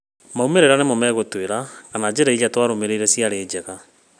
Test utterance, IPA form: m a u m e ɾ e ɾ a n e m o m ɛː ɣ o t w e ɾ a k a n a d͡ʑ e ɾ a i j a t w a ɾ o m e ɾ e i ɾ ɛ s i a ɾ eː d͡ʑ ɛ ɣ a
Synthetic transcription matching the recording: m a u m e ɾ e ɾ a n e m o m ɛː ɣ o t w e ɾ a k a n a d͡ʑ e ɾ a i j a t w a ɾ o m e ɾ e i ɾ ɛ s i a ɾ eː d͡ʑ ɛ ɣ a